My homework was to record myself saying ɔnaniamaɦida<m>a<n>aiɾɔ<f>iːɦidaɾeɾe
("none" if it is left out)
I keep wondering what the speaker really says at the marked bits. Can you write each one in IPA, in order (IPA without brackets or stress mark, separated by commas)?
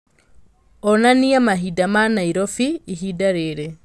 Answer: m, n, f